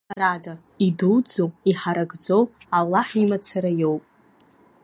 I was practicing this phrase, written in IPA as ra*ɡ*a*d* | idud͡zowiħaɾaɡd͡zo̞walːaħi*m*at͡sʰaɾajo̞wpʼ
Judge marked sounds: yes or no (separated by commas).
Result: no, no, yes